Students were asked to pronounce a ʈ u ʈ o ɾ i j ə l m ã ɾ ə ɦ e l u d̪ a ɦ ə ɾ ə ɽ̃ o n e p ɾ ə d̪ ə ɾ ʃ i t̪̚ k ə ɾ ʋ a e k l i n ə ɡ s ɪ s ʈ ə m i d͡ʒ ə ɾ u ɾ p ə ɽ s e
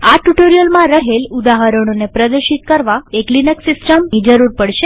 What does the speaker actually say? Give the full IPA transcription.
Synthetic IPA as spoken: a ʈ u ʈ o ɾ i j ə l m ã ɾ ə ɦ e l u d̪ a ɦ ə ɾ ə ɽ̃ o n e p ɾ ə d̪ ə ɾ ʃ i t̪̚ k ə ɾ ʋ a e k l i n ə k s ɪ s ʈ ə m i d͡ʒ ə ɾ u ɾ p ə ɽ ʃ e